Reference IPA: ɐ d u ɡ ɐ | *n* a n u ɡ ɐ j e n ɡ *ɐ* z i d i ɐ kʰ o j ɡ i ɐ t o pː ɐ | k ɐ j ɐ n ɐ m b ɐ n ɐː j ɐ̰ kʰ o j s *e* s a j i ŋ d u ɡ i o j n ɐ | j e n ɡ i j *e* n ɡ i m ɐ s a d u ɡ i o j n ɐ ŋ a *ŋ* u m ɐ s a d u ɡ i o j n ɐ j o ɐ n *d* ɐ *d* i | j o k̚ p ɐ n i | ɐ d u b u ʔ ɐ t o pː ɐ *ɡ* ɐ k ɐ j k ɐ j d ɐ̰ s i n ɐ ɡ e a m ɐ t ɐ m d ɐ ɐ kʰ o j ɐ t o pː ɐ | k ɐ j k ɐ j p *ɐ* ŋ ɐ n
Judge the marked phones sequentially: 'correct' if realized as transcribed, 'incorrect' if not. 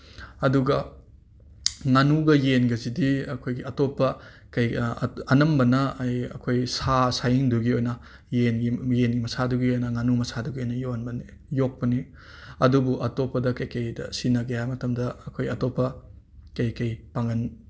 incorrect: ŋ, correct, incorrect: a, correct, incorrect: n, incorrect: b, incorrect: n, incorrect: d, incorrect: a

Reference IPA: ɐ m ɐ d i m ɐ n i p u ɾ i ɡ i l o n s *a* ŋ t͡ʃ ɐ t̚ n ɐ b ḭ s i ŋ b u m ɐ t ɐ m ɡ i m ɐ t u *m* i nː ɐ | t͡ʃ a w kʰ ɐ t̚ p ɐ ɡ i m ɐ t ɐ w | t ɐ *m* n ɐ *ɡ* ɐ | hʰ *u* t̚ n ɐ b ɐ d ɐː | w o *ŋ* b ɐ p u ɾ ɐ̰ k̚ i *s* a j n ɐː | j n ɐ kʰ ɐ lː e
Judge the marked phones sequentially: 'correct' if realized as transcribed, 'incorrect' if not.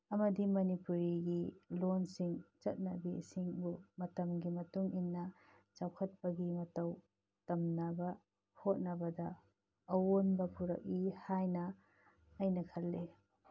incorrect: i, incorrect: ŋ, correct, incorrect: b, incorrect: o, incorrect: n, incorrect: h

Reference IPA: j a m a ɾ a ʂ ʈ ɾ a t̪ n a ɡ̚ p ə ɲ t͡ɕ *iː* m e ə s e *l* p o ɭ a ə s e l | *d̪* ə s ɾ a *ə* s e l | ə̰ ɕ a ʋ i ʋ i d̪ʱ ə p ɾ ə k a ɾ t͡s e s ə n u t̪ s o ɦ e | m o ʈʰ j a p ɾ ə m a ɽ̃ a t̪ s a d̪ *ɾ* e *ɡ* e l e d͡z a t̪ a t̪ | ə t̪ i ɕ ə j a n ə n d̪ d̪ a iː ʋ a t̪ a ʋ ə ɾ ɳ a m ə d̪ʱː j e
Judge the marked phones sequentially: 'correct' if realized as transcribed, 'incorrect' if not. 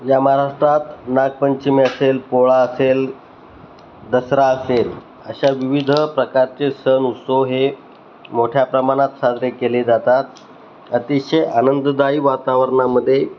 incorrect: i, correct, correct, correct, correct, incorrect: k

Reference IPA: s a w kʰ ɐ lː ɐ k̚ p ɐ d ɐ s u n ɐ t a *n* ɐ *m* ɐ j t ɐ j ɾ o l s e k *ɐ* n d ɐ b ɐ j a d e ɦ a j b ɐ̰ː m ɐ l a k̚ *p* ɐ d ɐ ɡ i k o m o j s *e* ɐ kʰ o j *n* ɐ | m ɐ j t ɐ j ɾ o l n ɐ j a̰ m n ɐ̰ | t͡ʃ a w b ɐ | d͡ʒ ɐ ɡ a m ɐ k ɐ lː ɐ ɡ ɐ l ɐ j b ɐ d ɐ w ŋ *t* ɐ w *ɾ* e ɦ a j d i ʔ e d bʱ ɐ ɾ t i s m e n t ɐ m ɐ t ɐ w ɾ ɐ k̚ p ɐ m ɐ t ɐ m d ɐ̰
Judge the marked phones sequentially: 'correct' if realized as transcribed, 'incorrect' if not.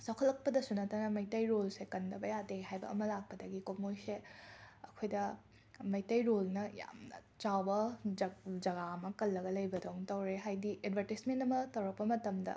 correct, correct, correct, correct, correct, incorrect: d, correct, correct

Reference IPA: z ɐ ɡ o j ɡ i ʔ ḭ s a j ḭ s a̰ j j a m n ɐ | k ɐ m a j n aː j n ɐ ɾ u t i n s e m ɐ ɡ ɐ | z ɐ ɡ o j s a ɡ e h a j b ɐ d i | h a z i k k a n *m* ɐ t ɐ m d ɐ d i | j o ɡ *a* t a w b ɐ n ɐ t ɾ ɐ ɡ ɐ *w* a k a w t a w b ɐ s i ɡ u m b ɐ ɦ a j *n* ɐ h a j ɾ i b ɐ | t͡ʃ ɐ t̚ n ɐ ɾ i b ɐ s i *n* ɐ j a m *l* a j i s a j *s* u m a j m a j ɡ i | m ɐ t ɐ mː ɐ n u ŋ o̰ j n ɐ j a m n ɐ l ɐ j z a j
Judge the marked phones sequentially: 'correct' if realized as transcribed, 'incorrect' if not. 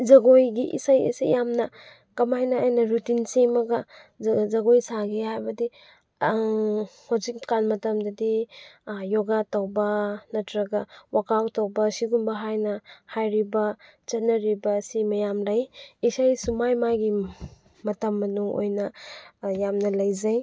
correct, correct, correct, correct, incorrect: m, correct, correct

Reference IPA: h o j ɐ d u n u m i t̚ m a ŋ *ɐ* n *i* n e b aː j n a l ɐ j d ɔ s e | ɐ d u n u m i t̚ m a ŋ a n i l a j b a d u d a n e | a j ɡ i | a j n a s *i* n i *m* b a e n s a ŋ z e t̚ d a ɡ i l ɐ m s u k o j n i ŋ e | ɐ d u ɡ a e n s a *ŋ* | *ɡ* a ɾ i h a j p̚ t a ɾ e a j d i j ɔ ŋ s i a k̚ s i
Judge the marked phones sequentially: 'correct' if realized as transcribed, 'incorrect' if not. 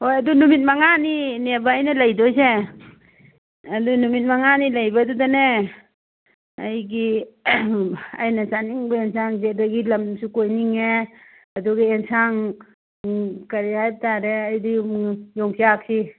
incorrect: a, correct, incorrect: a, incorrect: ŋ, correct, incorrect: k

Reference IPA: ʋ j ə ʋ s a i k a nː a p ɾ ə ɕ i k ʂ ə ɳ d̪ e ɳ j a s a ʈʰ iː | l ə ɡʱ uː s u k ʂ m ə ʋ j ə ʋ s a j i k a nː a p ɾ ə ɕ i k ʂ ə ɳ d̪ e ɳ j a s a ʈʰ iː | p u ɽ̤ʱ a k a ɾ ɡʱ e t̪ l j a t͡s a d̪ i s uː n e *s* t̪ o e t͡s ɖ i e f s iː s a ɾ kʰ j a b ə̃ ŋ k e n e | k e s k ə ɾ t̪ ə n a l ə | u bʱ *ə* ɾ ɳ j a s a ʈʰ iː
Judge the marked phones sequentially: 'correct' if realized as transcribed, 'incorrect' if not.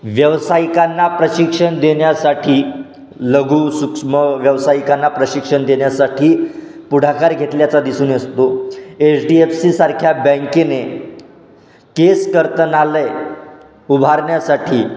correct, incorrect: a

